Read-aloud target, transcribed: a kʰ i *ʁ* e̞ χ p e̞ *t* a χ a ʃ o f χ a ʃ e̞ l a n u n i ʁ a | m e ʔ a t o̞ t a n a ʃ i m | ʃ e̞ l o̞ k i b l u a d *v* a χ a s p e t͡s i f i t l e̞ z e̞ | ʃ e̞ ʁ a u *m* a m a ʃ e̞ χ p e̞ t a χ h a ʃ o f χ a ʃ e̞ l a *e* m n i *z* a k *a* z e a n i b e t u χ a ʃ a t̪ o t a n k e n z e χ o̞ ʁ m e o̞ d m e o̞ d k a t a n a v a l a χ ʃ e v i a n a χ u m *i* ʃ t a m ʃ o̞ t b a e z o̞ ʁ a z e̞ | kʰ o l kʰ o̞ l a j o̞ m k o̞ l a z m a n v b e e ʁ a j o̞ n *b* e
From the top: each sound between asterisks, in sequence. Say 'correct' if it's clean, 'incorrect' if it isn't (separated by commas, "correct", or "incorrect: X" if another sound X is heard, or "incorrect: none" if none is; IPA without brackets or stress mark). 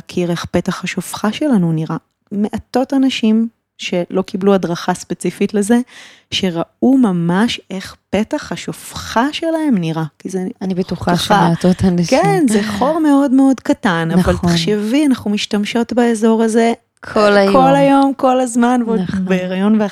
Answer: correct, correct, incorrect: ʁ, correct, correct, incorrect: ʁ, incorrect: i, correct, incorrect: v